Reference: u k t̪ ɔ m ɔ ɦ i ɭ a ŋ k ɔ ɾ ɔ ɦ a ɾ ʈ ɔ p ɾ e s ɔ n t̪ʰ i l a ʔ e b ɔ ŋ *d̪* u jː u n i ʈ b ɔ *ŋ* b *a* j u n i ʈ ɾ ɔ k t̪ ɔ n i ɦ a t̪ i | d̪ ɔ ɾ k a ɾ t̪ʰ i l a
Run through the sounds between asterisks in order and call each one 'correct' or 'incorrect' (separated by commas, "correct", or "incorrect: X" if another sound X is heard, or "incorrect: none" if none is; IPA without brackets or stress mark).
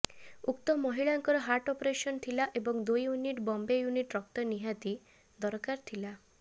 correct, incorrect: m, incorrect: e